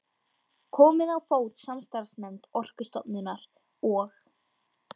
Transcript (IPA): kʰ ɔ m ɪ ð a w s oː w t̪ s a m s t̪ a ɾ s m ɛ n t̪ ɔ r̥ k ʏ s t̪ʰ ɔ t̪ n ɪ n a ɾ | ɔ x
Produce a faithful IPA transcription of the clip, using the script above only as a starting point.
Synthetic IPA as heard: kʰ ɔː m ɪ ð a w f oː w t̪ s a m s t̪ a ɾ s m ɛ n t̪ ɔ r̥ k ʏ s t̪ ɔ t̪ n ɪ n a ɾ | ɔ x